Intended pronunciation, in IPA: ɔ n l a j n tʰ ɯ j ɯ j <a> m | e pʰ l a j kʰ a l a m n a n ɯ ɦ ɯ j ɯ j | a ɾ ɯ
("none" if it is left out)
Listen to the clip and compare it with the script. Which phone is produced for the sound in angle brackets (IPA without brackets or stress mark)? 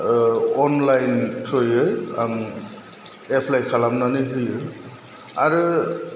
a